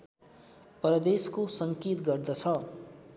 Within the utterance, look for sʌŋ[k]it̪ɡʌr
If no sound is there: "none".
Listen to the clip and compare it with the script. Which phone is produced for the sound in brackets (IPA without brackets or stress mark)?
k